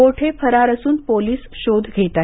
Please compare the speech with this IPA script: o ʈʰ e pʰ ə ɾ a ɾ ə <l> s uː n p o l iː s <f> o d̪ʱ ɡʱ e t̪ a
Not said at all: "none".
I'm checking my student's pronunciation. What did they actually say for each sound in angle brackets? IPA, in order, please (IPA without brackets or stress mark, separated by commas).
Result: none, ɕ